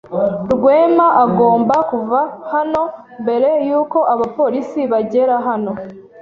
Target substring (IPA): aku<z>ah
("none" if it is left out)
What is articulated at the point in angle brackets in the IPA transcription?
v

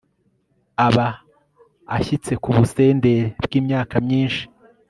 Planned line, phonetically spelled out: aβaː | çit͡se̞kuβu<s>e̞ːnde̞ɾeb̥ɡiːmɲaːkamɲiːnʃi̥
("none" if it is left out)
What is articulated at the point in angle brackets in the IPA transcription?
s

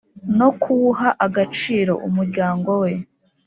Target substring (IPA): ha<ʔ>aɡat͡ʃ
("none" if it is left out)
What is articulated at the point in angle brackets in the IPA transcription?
ʔ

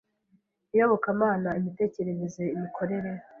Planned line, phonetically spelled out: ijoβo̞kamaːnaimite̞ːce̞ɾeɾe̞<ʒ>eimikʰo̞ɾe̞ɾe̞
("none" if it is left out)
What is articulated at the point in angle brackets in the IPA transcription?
z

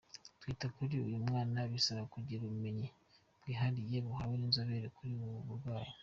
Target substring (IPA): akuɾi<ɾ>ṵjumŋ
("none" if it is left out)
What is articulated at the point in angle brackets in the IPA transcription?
none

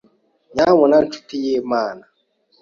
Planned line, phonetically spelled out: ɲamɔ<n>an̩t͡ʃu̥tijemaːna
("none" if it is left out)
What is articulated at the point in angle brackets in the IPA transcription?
n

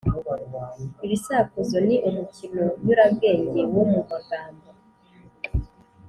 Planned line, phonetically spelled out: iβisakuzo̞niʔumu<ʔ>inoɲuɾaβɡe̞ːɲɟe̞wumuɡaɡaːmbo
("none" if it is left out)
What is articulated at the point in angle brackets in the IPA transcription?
c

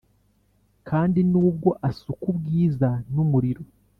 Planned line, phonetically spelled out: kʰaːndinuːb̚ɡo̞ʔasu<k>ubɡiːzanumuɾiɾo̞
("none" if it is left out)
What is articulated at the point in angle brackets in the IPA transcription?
k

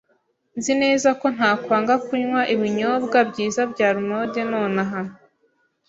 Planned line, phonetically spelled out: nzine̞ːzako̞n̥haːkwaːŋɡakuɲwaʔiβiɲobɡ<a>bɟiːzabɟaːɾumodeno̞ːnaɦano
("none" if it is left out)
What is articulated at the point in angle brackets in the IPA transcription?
a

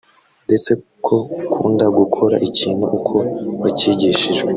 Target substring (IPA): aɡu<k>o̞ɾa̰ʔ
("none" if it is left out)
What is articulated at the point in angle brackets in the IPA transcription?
kʰ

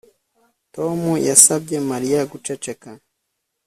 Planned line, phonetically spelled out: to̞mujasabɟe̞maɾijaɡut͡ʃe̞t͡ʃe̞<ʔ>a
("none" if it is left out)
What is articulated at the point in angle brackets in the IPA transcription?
k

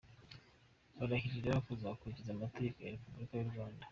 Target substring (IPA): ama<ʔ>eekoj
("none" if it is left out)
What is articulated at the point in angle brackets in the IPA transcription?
t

